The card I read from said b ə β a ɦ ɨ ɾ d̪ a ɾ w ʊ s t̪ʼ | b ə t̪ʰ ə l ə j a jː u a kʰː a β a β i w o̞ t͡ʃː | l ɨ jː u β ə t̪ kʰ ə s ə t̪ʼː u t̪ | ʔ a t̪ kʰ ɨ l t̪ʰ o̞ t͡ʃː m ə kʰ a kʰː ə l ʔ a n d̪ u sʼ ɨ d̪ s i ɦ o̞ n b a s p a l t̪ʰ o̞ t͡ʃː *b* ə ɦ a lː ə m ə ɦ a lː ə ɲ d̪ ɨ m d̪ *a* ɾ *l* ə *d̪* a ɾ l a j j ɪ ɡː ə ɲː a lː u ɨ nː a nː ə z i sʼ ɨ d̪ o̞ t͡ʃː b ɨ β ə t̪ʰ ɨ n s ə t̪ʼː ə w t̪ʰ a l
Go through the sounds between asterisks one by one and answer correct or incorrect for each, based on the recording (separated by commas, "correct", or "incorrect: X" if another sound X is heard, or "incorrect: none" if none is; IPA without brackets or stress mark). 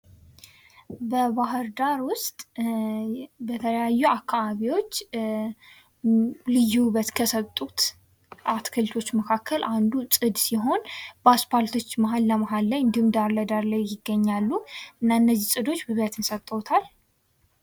incorrect: m, correct, correct, correct